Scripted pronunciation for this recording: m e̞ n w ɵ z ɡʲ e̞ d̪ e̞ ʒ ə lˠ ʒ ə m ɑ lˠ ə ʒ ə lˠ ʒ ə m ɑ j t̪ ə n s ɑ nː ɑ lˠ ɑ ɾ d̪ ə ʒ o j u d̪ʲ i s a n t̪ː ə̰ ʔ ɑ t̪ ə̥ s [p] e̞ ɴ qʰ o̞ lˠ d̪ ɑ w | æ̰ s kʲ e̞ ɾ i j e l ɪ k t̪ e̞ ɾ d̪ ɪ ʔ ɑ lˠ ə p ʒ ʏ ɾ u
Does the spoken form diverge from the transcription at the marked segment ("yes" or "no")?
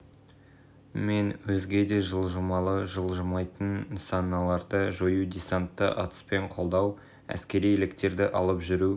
no